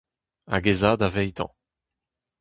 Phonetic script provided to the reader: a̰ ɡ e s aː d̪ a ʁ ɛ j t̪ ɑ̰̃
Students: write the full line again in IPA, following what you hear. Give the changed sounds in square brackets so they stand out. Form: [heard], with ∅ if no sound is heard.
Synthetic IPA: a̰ ɡ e [z] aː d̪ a [v] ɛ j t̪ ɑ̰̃